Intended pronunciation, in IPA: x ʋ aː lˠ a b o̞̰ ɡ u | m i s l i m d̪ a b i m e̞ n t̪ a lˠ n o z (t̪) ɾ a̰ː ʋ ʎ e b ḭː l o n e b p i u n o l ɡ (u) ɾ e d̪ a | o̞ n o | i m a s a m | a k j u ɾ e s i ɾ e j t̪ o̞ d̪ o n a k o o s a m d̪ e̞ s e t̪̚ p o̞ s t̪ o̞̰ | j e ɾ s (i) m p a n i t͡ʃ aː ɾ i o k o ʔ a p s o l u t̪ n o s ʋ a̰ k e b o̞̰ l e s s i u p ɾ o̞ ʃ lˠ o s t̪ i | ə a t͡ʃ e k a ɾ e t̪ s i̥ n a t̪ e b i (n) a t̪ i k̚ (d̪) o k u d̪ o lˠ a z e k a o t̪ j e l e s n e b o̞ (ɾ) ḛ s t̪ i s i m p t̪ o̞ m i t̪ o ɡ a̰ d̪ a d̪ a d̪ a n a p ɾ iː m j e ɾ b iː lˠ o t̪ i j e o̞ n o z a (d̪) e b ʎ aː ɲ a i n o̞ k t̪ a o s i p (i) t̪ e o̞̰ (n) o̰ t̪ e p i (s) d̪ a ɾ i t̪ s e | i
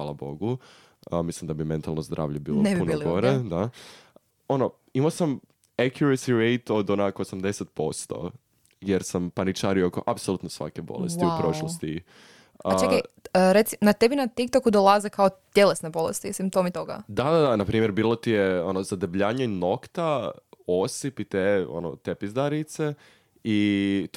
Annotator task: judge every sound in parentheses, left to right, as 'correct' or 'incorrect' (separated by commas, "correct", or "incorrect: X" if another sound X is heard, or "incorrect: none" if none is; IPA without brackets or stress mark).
incorrect: d̪, incorrect: o, incorrect: a, correct, incorrect: t̪, incorrect: l, correct, correct, correct, incorrect: z